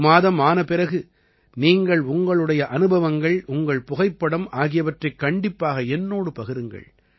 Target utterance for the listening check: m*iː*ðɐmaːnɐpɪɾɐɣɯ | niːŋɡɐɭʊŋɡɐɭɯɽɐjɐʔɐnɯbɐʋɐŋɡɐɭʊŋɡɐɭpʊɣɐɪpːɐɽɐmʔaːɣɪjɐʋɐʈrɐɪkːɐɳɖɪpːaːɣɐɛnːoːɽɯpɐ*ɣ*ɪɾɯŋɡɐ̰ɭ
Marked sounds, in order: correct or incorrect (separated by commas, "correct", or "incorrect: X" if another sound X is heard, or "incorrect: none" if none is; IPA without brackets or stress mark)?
incorrect: aː, correct